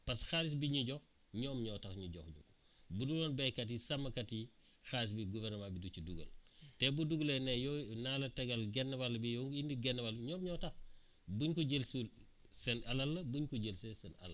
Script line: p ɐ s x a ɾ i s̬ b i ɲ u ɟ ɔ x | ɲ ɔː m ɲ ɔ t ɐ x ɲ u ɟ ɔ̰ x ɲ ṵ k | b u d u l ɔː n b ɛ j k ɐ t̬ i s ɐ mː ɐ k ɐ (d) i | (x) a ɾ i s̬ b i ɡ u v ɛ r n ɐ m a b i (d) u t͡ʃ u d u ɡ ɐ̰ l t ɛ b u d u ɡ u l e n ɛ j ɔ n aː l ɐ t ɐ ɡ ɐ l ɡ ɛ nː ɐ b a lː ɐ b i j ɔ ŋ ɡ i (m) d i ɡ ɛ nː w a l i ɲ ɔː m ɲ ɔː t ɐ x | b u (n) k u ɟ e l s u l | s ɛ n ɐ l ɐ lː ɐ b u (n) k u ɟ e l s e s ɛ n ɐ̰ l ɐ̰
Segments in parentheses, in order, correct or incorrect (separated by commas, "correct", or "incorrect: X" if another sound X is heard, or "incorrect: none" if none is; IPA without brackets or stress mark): incorrect: t, correct, correct, incorrect: n, incorrect: ɲ, incorrect: ɲ